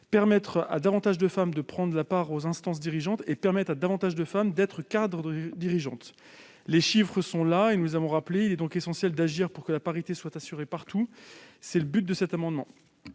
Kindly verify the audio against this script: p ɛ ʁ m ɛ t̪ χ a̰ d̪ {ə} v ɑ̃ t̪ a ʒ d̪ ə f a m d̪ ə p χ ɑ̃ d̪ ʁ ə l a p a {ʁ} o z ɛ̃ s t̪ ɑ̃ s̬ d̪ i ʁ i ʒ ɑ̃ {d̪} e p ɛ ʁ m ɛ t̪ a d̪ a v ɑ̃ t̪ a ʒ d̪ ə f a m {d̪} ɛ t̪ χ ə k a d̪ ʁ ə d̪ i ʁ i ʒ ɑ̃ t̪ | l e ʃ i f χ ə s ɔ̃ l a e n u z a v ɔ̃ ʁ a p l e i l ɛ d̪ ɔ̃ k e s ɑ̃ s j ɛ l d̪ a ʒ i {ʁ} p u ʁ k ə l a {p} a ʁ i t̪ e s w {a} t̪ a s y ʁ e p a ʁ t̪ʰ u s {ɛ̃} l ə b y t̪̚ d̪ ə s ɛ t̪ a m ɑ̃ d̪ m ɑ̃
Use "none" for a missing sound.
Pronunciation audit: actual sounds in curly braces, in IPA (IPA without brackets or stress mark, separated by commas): a, ʁ, t̪, d̪, ʁ, p, a, ɛ